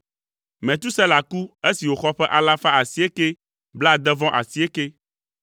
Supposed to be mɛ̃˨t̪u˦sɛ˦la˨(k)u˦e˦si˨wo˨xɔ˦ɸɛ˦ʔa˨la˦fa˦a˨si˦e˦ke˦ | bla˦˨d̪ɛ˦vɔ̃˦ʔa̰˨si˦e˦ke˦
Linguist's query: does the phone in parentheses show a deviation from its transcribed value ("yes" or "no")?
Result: no